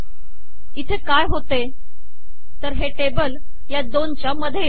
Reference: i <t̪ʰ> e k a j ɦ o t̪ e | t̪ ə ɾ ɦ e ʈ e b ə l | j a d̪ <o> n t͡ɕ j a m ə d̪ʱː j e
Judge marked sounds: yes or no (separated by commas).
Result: yes, yes